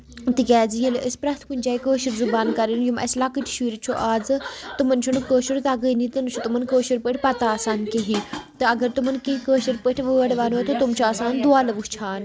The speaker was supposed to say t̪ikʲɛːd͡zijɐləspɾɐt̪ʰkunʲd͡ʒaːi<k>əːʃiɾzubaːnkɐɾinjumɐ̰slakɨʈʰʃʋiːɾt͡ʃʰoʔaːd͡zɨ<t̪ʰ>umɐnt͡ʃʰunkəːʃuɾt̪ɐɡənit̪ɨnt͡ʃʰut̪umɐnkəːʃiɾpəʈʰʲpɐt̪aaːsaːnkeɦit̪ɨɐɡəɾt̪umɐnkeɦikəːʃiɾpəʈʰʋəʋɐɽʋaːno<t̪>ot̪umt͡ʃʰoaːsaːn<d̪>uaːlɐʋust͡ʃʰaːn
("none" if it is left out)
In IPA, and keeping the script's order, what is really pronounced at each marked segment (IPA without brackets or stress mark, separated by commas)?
k, t̪, t̪, d̪